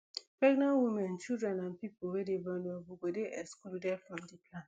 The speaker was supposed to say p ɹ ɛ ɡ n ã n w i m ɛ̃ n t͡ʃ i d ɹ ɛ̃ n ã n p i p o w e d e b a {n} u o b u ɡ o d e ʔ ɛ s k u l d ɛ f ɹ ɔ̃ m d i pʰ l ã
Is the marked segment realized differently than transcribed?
no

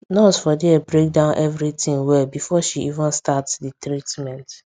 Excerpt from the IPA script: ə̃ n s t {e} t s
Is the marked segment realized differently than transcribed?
yes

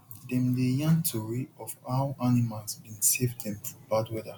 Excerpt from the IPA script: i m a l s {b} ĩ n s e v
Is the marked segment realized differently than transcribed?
no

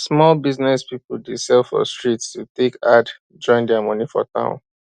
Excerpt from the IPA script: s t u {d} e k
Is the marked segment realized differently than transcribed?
yes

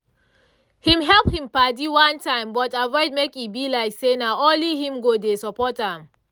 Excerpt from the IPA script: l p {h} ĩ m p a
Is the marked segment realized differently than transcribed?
no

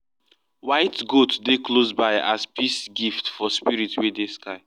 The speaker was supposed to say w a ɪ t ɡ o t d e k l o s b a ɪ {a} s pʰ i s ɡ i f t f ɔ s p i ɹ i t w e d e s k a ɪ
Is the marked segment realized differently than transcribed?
no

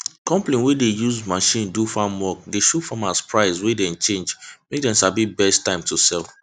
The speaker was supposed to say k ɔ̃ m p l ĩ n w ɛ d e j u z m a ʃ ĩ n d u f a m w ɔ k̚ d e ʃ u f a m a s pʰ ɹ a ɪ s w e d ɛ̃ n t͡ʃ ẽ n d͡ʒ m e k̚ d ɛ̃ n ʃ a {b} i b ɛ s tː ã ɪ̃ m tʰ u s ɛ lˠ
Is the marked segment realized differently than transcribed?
no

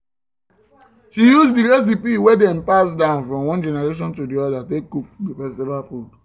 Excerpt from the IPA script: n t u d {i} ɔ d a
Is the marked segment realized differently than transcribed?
no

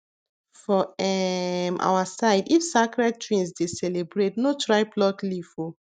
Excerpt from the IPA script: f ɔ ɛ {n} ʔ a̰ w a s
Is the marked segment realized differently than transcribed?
yes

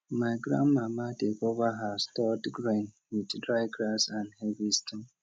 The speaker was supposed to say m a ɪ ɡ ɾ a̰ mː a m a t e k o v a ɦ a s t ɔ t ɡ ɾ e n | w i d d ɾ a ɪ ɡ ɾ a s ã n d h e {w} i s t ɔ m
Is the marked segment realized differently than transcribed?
yes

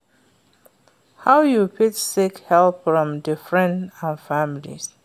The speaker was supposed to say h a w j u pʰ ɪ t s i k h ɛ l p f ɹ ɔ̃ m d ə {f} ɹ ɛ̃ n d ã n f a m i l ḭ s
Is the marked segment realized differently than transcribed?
no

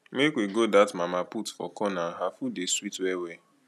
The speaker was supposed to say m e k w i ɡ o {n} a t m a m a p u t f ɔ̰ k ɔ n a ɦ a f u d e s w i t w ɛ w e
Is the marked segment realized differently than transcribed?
yes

